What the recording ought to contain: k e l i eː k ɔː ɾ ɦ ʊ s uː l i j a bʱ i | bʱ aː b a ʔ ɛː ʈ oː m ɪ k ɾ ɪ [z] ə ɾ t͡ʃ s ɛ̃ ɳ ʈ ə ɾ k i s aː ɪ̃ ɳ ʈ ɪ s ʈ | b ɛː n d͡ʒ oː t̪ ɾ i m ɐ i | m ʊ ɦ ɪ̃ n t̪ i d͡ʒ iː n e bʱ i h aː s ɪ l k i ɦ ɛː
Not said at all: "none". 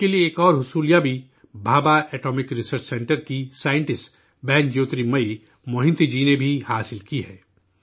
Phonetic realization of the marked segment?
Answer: s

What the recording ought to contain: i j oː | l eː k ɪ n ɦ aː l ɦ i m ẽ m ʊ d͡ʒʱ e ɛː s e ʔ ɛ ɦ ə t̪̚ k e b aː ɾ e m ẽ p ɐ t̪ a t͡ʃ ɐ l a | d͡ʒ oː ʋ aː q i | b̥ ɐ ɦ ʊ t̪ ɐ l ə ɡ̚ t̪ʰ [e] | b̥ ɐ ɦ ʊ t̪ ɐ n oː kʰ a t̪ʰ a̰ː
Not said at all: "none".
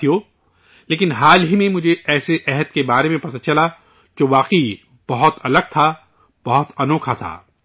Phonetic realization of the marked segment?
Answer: a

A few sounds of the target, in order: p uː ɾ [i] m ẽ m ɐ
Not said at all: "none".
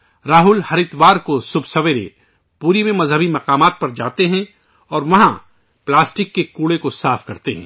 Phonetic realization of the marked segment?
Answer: i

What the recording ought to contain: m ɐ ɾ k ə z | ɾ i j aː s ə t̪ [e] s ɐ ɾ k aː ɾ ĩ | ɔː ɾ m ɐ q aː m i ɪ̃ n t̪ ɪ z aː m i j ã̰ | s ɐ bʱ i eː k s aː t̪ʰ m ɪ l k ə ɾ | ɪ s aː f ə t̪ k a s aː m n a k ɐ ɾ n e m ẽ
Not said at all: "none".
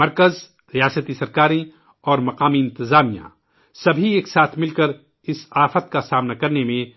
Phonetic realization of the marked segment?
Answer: i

